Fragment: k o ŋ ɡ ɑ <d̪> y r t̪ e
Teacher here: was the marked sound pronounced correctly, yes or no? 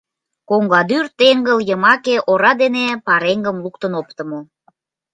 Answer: yes